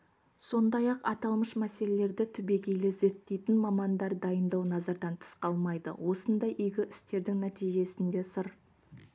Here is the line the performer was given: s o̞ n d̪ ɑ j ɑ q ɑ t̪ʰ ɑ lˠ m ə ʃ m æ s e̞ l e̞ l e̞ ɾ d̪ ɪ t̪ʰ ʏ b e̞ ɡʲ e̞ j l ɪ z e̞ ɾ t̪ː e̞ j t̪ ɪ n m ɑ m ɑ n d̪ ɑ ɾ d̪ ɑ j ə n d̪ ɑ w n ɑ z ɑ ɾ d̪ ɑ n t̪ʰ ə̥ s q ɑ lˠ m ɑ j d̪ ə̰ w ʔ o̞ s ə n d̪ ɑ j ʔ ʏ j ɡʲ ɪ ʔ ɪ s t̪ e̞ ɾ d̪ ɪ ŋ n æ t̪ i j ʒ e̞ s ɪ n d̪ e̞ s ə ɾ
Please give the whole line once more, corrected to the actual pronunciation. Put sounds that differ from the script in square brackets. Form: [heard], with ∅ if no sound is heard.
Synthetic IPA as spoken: s o̞ n d̪ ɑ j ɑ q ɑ [t̪] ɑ lˠ m ə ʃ m æ s e̞ l e̞ l e̞ ɾ d̪ ɪ t̪ʰ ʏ b e̞ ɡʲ e̞ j l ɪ z e̞ ɾ t̪ː e̞ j t̪ ɪ n m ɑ m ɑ n d̪ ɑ ɾ d̪ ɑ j ə n d̪ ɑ w n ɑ z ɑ ɾ d̪ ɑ n t̪ʰ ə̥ s q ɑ lˠ m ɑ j d̪ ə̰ w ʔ o̞ s ə n d̪ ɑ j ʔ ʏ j ɡʲ ɪ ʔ ɪ s t̪ e̞ ɾ d̪ ɪ ŋ n æ t̪ i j ʒ e̞ s ɪ n d̪ e̞ s ə ɾ